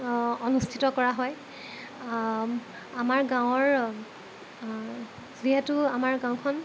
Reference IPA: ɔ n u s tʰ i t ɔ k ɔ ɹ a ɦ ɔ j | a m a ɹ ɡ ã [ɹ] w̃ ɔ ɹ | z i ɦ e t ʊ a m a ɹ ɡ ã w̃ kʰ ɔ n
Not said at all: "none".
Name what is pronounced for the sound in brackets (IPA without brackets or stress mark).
none